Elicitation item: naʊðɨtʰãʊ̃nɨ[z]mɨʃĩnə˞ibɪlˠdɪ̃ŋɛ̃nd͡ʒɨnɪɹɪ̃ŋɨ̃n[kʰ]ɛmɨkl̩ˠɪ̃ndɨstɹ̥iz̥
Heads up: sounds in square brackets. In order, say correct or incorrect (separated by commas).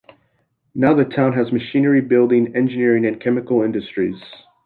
correct, correct